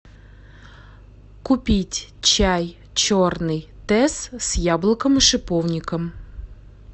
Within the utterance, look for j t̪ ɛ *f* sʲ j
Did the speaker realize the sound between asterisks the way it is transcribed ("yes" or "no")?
no